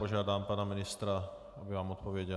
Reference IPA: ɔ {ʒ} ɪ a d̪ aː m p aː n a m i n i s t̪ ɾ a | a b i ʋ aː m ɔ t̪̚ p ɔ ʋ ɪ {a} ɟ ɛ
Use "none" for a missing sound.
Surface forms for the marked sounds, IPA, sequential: ʒ, ɛ

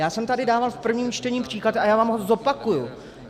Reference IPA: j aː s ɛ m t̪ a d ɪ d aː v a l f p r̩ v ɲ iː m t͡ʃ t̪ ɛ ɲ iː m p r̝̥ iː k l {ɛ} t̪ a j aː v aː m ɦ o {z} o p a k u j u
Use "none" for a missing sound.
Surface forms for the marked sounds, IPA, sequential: a, z

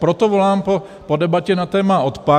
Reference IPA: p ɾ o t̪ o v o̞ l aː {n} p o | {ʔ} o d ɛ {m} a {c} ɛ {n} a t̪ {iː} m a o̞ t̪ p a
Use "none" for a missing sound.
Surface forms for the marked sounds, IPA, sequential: m, p, b, c, n, ɛː

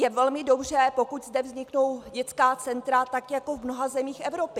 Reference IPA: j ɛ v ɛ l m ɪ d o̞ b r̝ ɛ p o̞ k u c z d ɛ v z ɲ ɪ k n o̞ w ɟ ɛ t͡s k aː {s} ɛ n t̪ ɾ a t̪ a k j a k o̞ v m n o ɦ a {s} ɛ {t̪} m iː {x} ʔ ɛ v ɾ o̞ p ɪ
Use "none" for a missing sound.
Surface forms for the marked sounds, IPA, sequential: t͡s, z, none, x

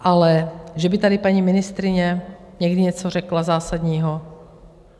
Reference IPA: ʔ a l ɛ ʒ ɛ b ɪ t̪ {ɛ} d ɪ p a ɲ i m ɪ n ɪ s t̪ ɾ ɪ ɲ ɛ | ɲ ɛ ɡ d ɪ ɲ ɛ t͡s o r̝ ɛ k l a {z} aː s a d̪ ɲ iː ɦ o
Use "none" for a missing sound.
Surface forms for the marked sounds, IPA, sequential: a, z

